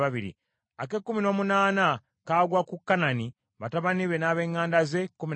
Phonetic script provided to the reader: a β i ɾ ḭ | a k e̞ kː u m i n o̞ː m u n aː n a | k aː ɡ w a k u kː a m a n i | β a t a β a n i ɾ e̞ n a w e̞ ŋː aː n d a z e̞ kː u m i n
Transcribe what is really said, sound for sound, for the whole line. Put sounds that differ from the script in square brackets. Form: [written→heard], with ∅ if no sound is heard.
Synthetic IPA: a β i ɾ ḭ | a k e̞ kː u m i n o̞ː m u n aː n a | k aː ɡ w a k u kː a [m→n] a n i | β a t a β a n i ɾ e̞ n a [w→β] e̞ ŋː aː n d a z e̞ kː u m i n